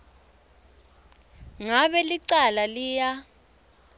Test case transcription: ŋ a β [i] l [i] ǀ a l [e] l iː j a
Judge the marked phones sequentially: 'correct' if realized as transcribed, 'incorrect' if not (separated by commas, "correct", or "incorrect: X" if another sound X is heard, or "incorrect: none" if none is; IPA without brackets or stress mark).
incorrect: ɛ, correct, incorrect: a